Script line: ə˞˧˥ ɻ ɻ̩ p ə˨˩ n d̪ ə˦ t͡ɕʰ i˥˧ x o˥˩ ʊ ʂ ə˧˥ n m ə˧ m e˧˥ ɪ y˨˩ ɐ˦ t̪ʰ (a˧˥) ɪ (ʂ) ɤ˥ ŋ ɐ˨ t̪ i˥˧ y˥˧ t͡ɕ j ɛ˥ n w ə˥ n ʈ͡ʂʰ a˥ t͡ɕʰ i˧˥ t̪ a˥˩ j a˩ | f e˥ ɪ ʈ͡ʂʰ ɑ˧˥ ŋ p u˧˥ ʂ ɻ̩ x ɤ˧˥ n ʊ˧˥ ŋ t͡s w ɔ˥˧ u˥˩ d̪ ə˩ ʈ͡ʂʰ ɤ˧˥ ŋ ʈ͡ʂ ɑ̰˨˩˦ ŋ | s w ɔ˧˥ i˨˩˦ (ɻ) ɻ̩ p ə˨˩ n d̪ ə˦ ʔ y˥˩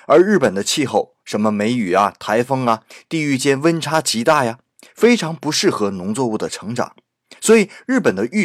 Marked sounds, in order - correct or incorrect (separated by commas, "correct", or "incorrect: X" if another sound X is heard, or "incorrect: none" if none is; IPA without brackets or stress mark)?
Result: correct, incorrect: f, correct